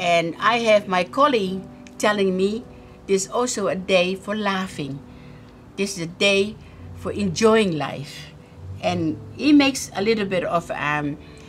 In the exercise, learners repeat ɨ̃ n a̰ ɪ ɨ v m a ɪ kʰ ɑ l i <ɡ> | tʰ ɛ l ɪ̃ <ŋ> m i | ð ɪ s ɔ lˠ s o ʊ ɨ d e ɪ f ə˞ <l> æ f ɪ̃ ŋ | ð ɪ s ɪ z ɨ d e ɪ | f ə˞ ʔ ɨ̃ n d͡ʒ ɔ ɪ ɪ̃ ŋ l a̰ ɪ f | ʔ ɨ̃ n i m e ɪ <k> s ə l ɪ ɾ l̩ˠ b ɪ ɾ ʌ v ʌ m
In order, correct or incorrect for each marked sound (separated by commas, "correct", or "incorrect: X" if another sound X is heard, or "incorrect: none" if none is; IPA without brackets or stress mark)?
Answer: correct, correct, correct, correct